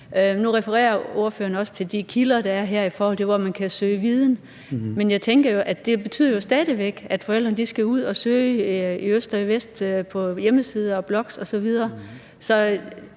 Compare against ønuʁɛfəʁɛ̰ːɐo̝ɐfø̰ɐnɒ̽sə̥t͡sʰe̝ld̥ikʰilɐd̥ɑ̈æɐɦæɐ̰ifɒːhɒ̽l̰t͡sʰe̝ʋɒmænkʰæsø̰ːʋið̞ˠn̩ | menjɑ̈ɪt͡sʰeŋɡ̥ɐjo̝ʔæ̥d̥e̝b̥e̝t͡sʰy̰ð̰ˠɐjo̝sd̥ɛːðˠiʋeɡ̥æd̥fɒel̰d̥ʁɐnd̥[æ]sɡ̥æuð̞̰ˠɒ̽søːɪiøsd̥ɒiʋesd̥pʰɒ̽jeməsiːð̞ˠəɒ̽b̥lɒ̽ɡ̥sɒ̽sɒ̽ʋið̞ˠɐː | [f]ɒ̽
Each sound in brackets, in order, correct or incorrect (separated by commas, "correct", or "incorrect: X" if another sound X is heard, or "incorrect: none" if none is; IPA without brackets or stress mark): incorrect: i, incorrect: s